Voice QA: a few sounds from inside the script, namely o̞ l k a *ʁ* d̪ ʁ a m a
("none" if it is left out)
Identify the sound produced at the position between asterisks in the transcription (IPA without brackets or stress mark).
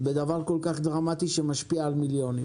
χ